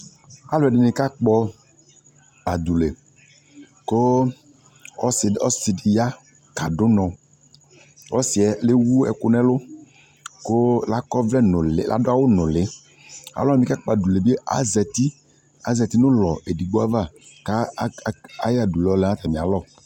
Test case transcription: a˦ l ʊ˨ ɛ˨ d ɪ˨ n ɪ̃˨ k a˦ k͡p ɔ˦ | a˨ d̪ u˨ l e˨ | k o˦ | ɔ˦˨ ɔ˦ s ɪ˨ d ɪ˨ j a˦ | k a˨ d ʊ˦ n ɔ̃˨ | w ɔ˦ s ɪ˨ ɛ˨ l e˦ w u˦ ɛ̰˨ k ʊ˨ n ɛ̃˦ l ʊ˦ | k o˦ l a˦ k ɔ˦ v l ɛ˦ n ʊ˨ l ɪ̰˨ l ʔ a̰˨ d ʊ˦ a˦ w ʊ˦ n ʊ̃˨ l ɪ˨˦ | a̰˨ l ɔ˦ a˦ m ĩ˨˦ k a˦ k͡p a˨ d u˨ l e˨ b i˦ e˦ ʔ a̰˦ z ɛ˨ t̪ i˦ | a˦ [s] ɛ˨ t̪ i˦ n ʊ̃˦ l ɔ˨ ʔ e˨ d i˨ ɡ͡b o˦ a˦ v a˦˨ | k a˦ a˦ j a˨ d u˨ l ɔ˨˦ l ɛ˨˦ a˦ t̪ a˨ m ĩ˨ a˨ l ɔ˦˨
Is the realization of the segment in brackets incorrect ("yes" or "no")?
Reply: yes